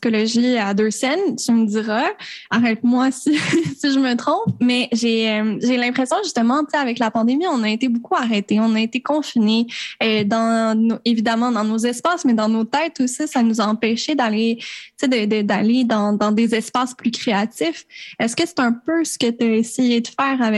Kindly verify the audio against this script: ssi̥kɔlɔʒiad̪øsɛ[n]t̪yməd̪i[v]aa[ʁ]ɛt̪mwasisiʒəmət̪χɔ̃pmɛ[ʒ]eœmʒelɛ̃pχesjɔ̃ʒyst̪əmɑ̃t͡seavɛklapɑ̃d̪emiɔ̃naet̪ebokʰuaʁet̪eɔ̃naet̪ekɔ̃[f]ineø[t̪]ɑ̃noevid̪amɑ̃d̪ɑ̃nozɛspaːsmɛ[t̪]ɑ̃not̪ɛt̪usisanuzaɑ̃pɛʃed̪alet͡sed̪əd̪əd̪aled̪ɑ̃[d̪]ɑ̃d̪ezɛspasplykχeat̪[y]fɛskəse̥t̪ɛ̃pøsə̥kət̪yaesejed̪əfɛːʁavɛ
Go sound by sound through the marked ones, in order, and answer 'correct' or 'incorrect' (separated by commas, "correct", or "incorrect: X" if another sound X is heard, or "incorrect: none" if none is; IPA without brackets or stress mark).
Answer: correct, incorrect: ʁ, correct, correct, correct, incorrect: d̪, incorrect: d̪, correct, incorrect: i